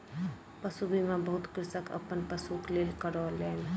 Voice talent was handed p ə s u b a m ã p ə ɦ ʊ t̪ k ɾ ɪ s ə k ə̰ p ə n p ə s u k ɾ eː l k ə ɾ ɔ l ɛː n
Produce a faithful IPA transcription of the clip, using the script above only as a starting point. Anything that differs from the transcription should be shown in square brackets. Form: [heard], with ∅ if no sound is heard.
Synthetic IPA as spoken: p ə s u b [i] m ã [b] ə ɦ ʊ t̪ k ɾ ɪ s ə k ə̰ p ə n p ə s u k [l] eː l k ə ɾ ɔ l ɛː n